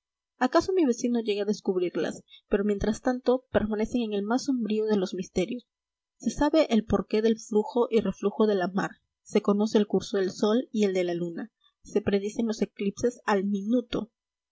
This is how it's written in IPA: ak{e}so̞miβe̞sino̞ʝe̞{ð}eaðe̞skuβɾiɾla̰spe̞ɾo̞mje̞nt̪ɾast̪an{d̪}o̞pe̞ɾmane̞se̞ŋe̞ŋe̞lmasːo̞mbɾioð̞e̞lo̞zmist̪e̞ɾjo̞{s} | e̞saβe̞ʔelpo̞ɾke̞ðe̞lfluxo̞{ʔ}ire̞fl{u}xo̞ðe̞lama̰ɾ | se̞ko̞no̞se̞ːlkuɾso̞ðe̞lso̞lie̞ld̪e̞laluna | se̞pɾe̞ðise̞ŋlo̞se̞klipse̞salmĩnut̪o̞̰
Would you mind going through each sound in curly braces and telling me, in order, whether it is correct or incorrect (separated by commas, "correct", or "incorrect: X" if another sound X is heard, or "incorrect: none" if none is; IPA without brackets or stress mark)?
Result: incorrect: a, incorrect: ɣ, incorrect: t̪, incorrect: sː, correct, correct